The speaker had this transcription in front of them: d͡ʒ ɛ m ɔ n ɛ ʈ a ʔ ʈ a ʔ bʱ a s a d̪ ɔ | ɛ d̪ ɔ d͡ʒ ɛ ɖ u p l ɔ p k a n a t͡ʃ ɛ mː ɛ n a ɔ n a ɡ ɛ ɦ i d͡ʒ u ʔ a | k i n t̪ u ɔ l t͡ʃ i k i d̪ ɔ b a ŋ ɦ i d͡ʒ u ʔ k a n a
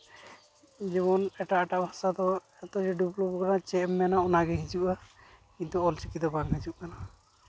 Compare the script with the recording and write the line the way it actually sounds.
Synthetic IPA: d͡ʒ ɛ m ɔ n ɛ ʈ a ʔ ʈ a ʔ bʱ a s a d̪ ɔ | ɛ t̪ ɔ d͡ʒ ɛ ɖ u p l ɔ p k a n a t͡ʃ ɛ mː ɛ n a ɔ n a ɡ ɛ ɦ i d͡ʒ u ʔ a | k i n t̪ u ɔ l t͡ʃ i k i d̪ ɔ b a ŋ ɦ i d͡ʒ u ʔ k a n a